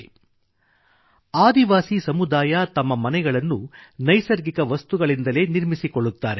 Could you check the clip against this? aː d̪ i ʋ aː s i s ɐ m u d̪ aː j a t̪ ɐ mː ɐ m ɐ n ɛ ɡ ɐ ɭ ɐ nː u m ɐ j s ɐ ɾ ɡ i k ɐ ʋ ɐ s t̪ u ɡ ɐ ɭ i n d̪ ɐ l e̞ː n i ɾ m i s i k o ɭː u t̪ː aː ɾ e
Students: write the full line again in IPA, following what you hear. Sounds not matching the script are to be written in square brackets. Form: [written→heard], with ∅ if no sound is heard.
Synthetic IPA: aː d̪ i ʋ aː s i s ɐ m u d̪ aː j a t̪ ɐ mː ɐ m ɐ n ɛ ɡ ɐ ɭ ɐ nː u [m→n] ɐ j s ɐ ɾ ɡ i k ɐ ʋ ɐ s t̪ u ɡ ɐ ɭ i n d̪ ɐ l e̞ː n i ɾ m i s i k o ɭː u t̪ː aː ɾ e